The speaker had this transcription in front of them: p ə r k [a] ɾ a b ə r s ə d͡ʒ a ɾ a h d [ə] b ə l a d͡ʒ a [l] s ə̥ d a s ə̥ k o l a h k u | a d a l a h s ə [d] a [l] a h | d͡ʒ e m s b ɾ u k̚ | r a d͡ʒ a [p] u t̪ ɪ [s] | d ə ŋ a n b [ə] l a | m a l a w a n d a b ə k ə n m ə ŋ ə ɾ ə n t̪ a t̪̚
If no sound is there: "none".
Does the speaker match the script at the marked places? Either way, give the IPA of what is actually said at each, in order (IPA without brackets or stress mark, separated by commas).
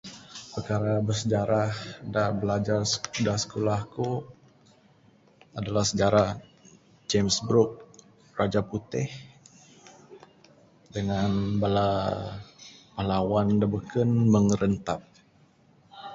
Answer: a, a, r, d͡ʒ, ɾ, p, h, a